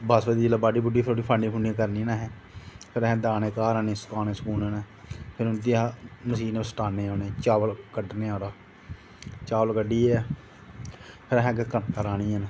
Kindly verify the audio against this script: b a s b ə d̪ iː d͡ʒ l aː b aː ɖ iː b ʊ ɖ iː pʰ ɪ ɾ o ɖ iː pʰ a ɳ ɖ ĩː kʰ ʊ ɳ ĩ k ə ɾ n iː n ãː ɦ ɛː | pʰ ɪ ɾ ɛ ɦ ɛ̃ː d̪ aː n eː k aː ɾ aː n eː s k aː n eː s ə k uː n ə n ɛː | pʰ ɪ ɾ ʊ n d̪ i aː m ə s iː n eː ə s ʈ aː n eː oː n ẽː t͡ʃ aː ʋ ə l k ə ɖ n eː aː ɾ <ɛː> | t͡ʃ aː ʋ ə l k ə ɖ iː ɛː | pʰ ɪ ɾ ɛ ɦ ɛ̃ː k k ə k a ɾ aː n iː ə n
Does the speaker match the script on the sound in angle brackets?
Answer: no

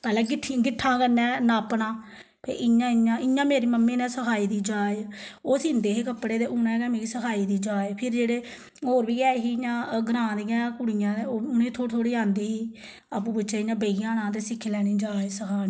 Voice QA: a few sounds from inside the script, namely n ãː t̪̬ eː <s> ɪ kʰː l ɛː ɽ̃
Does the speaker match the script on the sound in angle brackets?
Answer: yes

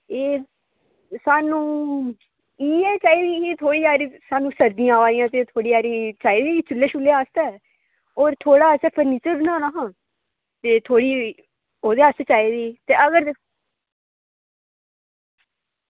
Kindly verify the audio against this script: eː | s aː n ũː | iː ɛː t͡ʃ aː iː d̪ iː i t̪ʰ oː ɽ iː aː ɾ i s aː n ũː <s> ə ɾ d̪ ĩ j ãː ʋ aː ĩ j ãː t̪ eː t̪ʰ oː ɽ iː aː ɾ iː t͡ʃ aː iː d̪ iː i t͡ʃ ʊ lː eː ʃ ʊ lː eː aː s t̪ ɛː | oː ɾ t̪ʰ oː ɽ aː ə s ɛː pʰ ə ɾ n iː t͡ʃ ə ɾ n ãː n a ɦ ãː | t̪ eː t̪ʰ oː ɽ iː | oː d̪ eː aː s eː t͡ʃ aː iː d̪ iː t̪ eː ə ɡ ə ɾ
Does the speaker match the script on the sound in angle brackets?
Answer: yes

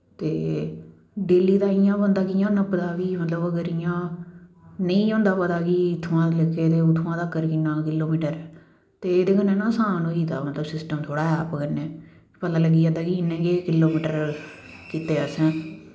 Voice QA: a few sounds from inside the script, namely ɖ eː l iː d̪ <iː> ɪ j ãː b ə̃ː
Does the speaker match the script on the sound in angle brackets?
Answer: no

